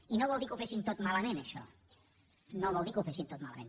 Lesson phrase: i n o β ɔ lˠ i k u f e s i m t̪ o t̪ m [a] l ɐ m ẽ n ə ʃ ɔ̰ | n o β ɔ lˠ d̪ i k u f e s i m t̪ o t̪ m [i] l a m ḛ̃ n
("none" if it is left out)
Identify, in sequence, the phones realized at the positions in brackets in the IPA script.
a, a

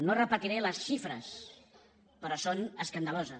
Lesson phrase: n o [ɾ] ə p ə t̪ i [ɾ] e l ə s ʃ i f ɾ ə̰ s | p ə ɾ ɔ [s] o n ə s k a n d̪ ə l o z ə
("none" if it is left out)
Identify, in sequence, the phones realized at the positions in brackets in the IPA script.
r, ɾ, s

